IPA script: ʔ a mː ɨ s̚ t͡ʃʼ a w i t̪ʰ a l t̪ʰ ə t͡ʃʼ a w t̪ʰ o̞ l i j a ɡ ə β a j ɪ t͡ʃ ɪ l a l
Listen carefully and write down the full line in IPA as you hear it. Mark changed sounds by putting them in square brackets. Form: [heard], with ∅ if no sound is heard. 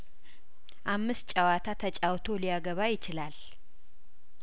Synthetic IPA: ʔ a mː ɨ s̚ t͡ʃʼ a w [a] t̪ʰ a [∅] t̪ʰ ə t͡ʃʼ a w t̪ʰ o̞ l i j a ɡ ə β a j ɪ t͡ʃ ɪ l a l

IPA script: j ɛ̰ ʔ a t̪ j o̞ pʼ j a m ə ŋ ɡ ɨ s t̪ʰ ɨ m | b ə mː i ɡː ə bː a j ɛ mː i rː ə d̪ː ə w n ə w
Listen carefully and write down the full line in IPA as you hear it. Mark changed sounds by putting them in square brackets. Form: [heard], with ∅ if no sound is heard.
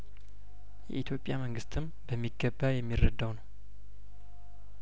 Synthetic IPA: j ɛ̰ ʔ [i] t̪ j o̞ pʼ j a m ə ŋ ɡ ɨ s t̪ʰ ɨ m | b ə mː i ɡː ə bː a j ɛ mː i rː ə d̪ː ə w n ə w

